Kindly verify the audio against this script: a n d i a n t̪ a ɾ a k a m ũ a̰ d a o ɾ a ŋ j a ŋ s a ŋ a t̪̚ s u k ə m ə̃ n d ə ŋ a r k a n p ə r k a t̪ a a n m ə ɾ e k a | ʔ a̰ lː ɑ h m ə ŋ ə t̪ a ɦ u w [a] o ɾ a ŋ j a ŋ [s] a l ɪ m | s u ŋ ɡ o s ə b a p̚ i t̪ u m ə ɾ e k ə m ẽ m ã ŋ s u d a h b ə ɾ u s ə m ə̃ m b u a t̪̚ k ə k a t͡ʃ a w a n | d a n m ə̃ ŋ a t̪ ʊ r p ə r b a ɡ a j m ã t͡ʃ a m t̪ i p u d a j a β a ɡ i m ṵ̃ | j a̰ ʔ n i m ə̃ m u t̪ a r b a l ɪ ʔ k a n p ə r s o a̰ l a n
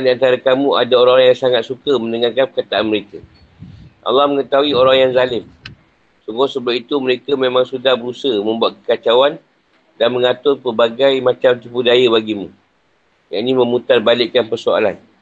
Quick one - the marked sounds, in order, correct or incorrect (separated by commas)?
incorrect, incorrect